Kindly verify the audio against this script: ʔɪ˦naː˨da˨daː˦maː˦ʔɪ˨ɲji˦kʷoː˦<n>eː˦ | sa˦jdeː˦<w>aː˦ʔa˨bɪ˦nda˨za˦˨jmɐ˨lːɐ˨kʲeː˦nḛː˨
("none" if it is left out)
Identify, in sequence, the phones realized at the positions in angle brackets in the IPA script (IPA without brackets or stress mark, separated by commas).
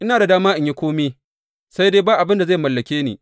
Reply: m, b